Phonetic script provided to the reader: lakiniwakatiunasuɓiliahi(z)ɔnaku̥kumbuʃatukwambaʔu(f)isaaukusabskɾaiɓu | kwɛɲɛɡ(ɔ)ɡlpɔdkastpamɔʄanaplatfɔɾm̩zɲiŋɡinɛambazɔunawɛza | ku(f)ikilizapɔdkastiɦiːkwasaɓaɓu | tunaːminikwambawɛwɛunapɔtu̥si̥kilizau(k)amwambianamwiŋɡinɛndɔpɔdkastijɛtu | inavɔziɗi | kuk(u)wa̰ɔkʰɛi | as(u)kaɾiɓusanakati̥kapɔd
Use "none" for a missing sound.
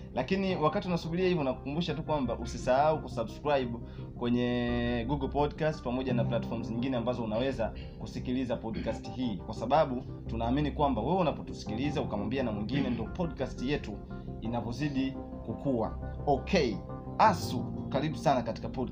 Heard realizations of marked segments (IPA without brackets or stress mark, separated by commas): v, s, u, s, k, u, u